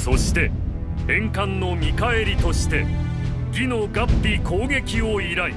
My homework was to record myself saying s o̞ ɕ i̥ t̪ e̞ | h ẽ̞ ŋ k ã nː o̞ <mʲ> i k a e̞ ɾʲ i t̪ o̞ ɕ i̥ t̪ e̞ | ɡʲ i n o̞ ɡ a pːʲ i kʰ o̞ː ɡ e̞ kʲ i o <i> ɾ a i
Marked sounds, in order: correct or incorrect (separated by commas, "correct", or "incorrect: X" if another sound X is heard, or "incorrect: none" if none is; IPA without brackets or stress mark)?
correct, correct